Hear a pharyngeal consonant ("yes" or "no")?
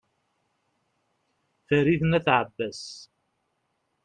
yes